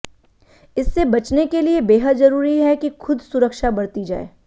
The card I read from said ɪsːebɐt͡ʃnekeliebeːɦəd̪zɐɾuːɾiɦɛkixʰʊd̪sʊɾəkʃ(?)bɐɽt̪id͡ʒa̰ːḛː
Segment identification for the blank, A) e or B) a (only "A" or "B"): B